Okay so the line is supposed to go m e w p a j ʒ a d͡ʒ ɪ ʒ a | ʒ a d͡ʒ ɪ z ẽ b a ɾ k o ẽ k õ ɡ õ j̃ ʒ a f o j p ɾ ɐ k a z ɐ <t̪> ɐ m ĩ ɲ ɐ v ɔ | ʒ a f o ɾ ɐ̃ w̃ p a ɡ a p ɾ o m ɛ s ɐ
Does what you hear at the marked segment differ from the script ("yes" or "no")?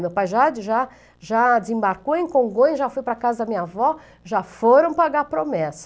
yes